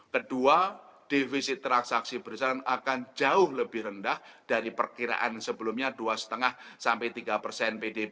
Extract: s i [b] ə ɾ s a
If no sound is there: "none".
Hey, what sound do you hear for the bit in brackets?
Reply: b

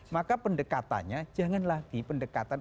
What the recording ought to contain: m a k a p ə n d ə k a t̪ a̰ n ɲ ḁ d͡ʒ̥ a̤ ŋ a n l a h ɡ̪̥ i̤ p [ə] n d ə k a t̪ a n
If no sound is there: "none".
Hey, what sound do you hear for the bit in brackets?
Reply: ə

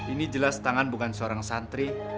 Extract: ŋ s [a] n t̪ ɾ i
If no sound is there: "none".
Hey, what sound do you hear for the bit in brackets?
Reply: a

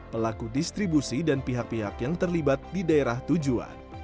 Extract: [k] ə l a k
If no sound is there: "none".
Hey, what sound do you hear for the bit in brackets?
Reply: p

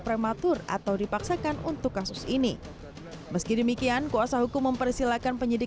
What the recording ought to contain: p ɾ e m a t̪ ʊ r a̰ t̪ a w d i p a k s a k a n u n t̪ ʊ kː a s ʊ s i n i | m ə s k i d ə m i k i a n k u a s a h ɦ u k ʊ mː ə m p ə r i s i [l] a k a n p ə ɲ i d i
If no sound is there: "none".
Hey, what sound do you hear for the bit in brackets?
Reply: l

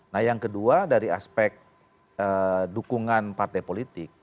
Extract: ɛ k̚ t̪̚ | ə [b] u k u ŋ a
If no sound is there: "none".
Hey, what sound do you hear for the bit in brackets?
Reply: d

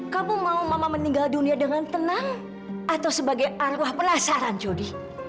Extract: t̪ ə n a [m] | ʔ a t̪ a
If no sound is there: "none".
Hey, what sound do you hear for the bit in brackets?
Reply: ŋ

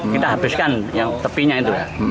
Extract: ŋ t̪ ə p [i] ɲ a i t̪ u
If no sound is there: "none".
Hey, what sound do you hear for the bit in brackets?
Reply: i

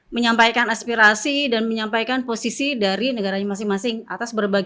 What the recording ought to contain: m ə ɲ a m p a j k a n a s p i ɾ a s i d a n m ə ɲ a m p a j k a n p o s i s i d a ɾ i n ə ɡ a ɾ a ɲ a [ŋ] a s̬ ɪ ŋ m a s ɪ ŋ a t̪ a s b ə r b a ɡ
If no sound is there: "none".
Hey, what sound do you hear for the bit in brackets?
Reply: m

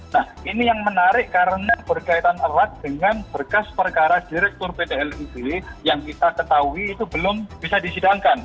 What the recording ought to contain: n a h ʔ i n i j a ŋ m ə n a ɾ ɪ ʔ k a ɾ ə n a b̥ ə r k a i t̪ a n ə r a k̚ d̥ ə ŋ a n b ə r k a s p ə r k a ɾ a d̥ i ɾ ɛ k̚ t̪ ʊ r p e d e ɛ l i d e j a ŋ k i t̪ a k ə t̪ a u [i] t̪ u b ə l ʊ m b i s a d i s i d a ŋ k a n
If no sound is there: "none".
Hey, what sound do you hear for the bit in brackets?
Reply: iː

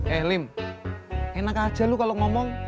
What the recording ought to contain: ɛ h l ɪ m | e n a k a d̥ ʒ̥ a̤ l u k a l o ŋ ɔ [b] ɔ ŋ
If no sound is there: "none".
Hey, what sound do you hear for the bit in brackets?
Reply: m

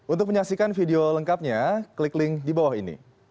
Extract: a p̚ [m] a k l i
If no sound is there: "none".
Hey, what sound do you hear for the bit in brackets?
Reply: ɲ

